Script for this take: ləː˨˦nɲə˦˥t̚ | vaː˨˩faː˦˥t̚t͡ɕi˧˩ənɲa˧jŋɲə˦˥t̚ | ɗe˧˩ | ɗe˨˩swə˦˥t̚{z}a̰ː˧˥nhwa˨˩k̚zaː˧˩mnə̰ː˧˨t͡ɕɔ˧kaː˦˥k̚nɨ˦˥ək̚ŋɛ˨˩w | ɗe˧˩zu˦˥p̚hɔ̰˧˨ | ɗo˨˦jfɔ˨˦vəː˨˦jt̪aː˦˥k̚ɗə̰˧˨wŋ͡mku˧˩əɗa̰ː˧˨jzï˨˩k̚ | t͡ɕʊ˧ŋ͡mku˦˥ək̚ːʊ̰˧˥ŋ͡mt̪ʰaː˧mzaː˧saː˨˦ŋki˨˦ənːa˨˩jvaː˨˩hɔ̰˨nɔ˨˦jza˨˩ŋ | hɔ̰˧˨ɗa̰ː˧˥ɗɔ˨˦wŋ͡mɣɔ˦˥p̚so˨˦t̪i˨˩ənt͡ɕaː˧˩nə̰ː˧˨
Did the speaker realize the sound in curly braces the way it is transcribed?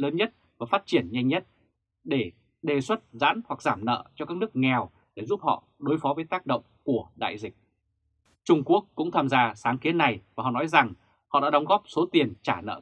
yes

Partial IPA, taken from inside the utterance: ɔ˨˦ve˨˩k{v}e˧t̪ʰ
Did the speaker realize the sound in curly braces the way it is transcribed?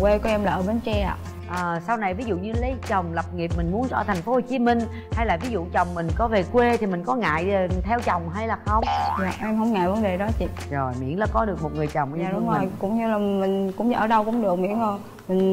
no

